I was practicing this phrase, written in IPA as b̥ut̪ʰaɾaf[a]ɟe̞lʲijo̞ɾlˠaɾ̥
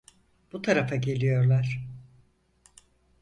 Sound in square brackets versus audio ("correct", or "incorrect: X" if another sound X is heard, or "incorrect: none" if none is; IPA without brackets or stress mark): correct